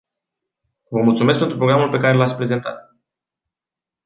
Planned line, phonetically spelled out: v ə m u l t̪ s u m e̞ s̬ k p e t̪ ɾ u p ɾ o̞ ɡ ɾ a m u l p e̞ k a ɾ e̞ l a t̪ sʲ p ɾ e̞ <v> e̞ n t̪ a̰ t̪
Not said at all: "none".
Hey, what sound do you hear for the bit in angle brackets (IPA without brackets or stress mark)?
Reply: z